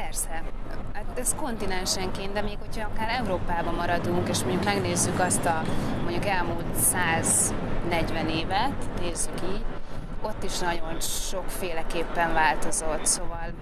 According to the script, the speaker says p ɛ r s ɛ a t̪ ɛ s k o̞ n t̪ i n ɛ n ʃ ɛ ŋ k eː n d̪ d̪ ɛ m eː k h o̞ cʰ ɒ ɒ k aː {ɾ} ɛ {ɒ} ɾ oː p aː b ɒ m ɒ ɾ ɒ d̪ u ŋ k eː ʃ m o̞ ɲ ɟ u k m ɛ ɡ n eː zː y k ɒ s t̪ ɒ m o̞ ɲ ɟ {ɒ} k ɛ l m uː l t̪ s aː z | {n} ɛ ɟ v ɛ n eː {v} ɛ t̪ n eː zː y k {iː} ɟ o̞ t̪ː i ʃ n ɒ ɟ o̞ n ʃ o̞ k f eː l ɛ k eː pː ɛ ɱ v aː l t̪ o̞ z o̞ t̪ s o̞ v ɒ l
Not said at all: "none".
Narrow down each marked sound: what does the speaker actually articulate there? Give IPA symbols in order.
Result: ɾ, u, u, n, v, iː

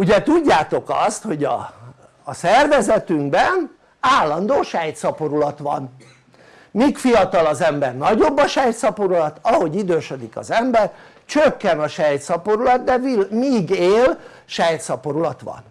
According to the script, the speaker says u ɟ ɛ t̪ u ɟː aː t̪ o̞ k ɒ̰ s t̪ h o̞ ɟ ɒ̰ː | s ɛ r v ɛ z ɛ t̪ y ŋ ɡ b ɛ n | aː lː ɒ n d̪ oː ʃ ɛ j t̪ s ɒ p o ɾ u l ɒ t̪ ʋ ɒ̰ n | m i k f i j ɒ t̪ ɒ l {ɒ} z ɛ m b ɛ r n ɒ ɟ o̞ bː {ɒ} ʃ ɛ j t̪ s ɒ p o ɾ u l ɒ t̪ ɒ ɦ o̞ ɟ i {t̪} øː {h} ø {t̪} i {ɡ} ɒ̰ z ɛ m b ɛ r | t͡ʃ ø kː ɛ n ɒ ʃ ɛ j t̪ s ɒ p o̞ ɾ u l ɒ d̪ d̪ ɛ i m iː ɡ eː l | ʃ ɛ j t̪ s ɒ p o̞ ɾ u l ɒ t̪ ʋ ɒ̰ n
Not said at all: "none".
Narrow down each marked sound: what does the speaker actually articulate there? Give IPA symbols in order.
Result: ɒ, ɒ, d̪, ʃ, d̪, k

